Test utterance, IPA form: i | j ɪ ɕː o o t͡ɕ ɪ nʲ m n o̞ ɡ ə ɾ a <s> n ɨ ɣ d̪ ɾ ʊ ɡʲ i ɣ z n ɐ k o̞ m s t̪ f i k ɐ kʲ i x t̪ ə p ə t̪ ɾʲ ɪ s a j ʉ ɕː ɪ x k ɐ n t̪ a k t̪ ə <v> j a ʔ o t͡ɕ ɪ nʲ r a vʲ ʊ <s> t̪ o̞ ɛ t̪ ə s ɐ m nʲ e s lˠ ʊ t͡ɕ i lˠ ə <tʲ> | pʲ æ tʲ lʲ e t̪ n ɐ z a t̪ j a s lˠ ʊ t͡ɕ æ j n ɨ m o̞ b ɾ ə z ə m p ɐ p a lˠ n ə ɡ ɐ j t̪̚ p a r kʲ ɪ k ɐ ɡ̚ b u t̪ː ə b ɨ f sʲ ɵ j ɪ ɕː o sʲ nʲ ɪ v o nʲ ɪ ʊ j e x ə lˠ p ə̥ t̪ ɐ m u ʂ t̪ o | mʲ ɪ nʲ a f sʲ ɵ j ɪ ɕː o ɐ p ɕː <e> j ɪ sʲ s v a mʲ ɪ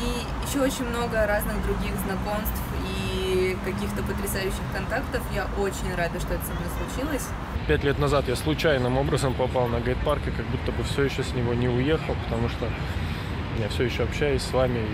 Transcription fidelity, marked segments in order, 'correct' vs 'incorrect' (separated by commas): incorrect, incorrect, incorrect, incorrect, incorrect